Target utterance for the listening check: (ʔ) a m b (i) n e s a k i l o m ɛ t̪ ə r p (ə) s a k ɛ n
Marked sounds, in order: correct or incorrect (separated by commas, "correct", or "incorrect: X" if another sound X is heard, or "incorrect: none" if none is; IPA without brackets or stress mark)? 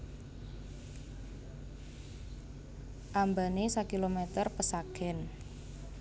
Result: correct, incorrect: a, correct